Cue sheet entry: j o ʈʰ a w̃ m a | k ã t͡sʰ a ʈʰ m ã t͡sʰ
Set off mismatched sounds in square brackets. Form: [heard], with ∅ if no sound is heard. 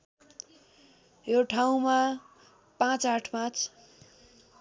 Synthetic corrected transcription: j o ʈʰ a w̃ m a | [p] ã [t͡s] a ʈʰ m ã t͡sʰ